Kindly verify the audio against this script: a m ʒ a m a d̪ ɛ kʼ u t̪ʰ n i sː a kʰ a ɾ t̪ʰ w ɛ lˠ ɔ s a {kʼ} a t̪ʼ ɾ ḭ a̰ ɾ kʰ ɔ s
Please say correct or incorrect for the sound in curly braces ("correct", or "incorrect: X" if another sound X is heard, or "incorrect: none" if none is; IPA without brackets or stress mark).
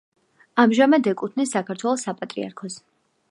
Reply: incorrect: pʼ